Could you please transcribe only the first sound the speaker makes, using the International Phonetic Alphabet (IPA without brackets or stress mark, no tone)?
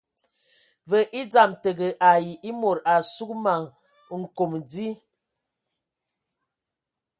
v